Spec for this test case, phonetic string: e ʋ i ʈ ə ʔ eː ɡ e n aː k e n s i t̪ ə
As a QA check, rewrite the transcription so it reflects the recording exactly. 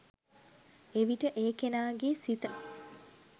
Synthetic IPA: e ʋ i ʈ ə ʔ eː k e n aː ɡ e s i t̪ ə

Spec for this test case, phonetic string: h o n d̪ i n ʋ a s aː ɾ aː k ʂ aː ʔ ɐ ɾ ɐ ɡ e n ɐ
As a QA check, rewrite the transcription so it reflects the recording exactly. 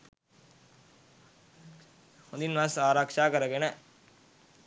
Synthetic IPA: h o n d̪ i n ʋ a s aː ɾ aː k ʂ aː k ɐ ɾ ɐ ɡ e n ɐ

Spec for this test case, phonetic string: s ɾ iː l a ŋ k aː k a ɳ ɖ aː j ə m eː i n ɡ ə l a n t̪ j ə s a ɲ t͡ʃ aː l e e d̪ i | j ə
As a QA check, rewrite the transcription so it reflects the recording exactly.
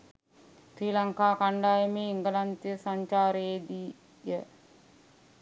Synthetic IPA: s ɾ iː l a ŋ k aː k a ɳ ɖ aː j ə m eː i ŋ ɡ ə l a n t̪ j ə s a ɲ t͡ʃ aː ɾ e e d̪ i | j ə

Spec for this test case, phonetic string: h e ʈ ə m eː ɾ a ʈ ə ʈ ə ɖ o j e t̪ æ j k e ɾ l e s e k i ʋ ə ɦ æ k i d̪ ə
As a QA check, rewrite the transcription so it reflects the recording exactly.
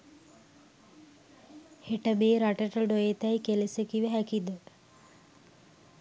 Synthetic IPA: h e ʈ ə m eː ɾ a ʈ ə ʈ ə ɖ o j e t̪ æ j k e l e s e k i ʋ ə ɦ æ k i d̪ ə

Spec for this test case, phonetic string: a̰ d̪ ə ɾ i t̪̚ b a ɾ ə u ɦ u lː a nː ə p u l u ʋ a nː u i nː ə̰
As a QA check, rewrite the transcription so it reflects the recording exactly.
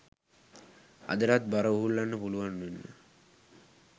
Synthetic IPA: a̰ d̪ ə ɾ a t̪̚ b a ɾ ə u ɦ u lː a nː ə p u l u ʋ a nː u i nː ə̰

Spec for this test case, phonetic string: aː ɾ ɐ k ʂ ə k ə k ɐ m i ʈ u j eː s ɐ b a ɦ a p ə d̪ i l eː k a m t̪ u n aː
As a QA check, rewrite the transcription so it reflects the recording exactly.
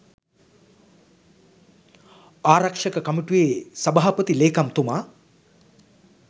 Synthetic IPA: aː ɾ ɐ k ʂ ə k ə k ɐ m i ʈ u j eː s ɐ b a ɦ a p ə t̪ i l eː k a m t̪ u m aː

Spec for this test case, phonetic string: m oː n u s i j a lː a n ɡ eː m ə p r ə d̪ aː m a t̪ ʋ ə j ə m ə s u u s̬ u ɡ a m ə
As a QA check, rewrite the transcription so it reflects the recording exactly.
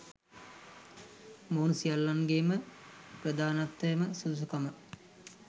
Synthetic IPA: m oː n u s i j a lː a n ɡ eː m ə p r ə d̪ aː n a t̪ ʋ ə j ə m ə s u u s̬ u k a m ə

